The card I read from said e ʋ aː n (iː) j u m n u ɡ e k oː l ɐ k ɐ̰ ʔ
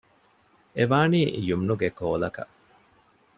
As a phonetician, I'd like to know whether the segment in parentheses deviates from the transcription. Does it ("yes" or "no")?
no